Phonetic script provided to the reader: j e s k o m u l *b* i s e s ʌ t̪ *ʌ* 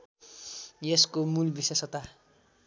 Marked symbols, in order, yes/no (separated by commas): yes, no